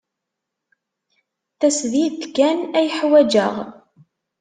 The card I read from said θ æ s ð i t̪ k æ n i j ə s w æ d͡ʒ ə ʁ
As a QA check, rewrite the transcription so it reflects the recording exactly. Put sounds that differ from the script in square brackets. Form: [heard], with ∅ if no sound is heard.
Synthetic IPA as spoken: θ æ s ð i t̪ k æ n [æ] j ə [ħ] w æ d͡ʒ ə ʁ